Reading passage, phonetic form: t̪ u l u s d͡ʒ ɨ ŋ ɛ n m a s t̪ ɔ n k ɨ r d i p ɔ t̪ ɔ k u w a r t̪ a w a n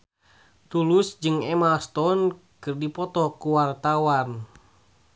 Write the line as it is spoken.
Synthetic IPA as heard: t̪ u l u s d͡ʒ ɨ ŋ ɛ m a s t̪ ɔ n k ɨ r d i p ɔ t̪ ɔ k u w a r t̪ a w a n